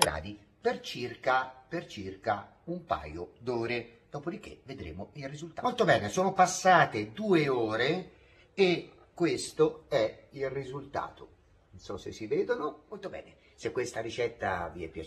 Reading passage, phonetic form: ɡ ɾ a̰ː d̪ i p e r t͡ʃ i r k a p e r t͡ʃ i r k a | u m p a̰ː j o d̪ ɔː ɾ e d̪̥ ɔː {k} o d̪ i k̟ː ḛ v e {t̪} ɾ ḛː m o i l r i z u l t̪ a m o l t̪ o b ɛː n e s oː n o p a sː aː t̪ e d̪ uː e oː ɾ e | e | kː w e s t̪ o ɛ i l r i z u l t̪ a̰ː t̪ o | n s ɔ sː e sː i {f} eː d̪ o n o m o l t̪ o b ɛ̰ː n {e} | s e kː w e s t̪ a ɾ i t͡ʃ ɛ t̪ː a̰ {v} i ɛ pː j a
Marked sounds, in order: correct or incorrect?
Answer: incorrect, incorrect, incorrect, correct, correct

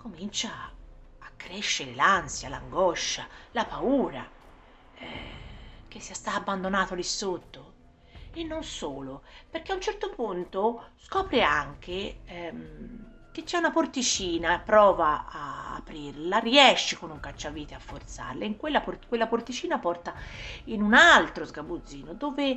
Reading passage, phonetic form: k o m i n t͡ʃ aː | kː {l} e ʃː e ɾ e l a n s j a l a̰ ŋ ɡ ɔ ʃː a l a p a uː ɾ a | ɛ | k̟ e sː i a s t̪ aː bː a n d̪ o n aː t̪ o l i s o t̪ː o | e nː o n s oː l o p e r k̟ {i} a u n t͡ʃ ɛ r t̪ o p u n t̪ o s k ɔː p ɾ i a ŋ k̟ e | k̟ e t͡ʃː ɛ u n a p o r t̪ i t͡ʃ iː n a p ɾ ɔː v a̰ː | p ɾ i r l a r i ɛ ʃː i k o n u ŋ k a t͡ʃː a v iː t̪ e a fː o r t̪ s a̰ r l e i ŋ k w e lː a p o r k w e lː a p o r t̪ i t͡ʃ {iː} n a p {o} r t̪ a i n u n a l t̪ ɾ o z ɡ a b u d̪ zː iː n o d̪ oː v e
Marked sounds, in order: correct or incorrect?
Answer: incorrect, incorrect, correct, incorrect

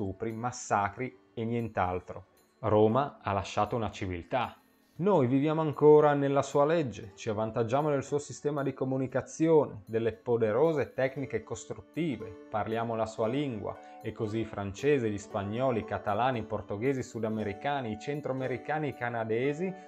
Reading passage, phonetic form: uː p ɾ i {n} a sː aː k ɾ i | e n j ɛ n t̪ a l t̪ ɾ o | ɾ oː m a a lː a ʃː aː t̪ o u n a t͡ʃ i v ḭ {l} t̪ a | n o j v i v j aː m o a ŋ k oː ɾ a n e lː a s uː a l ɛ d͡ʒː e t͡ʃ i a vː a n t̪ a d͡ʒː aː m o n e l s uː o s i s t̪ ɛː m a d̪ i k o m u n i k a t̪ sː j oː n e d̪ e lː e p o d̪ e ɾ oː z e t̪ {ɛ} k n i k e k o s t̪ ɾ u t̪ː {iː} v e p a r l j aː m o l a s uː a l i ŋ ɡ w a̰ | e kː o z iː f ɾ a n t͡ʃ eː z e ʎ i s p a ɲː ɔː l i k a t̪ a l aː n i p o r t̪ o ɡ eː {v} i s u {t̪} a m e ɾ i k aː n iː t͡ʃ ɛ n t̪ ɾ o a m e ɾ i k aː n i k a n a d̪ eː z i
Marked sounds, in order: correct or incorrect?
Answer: incorrect, correct, correct, correct, incorrect, incorrect

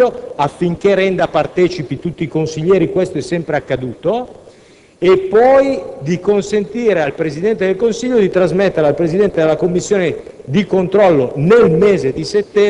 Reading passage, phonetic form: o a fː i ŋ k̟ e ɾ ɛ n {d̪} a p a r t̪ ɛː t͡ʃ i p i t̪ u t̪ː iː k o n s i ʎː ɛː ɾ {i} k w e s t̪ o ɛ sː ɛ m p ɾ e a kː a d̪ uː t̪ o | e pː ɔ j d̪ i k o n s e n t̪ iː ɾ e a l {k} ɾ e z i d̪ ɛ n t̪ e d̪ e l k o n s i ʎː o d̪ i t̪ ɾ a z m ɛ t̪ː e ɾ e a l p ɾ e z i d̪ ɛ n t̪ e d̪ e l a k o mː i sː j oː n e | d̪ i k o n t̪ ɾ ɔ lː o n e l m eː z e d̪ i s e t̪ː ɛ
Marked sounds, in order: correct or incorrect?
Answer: correct, correct, incorrect

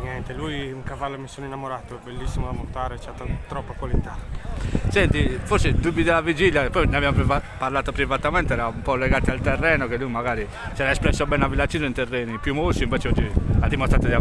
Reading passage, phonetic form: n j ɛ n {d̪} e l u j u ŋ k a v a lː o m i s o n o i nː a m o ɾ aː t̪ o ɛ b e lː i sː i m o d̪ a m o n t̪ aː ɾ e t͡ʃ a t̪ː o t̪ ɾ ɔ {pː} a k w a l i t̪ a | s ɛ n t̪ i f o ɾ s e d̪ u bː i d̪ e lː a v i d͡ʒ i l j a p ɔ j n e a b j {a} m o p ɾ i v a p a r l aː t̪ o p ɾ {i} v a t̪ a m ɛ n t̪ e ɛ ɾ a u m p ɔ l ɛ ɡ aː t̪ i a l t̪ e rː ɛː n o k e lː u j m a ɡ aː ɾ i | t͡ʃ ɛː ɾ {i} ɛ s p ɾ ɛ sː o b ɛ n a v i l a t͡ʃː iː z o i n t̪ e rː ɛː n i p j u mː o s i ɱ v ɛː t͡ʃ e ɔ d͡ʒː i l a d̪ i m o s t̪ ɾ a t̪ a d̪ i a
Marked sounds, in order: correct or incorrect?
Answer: incorrect, correct, correct, correct, incorrect

